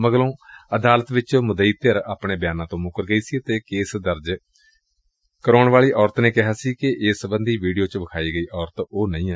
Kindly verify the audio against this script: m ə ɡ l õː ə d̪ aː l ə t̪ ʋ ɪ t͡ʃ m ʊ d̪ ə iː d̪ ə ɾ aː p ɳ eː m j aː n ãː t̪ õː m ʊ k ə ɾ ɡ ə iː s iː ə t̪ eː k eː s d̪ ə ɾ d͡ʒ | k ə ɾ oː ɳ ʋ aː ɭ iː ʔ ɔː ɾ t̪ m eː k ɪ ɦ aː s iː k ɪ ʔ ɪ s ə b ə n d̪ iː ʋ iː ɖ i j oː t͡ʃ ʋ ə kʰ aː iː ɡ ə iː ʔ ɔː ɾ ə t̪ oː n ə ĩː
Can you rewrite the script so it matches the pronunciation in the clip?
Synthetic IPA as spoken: m ə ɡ l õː ə d̪ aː l ə t̪ ʋ ɪ t͡ʃ m ʊ d̪ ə iː t̪ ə ɾ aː p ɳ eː b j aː n ãː t̪ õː m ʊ k ə ɾ ɡ ə iː s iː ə t̪ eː k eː s d̪ ə ɾ d͡ʒ | k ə ɾ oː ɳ ʋ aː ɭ iː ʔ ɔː ɾ t̪ n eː k ɪ ɦ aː s iː k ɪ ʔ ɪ s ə b ə n d̪ iː ʋ iː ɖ i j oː t͡ʃ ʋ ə kʰ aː iː ɡ ə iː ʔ ɔː ɾ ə t̪ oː n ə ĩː